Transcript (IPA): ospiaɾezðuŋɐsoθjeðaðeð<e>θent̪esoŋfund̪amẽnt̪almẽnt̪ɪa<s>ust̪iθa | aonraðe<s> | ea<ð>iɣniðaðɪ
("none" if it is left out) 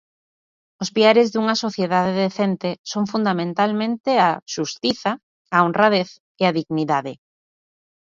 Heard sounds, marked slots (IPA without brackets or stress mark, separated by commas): e, ʃ, θ, ð